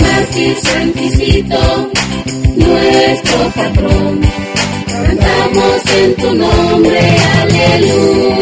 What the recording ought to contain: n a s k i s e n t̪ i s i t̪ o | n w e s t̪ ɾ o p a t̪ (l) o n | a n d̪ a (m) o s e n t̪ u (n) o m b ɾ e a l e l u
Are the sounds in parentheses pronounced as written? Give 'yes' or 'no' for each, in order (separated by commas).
no, yes, yes